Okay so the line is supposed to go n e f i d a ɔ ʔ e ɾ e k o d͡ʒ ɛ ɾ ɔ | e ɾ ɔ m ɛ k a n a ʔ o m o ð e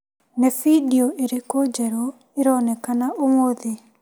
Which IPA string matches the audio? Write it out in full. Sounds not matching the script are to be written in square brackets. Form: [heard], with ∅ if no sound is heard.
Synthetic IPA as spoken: n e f i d [i] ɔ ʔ e ɾ e k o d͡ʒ ɛ ɾ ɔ | e ɾ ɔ [n] ɛ k a n a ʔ o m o ð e